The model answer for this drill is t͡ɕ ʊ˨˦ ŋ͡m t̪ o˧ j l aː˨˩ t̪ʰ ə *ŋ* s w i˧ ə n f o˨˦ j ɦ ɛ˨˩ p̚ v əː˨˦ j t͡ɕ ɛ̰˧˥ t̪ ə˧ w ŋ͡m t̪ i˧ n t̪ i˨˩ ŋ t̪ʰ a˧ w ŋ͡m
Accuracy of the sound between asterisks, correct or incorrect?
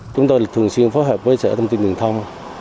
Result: correct